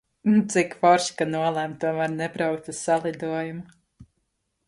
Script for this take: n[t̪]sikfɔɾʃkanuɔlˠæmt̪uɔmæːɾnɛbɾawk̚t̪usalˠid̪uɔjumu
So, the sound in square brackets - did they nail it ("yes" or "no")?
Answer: yes